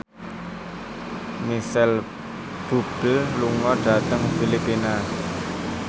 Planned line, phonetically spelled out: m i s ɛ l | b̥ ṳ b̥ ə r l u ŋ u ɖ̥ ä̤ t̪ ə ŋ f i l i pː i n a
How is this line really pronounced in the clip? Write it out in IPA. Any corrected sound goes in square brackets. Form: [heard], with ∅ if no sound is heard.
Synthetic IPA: m i s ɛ l | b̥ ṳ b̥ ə [l] l u ŋ [ɔ] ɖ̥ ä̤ t̪ ə ŋ f i l i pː i n a